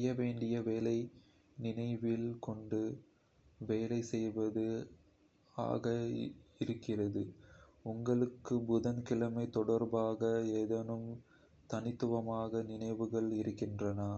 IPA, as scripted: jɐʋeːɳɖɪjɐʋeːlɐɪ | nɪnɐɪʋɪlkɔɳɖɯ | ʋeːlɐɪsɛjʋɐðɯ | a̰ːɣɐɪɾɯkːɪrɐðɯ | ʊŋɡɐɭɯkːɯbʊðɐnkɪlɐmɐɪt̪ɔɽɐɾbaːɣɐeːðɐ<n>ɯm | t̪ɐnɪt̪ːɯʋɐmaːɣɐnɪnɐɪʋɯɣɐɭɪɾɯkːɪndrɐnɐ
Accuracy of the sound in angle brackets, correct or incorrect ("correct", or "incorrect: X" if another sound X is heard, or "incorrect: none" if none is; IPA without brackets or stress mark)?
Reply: correct